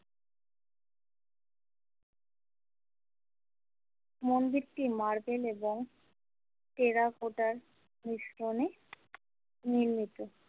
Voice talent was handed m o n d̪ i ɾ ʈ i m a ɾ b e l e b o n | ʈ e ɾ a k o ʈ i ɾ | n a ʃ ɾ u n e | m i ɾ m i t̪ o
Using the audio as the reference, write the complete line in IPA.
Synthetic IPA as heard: m o n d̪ i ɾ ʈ i m a ɾ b e l e b o ŋ | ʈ e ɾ a k o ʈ a ɾ | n i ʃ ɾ o n e | n i ɾ m i t̪ o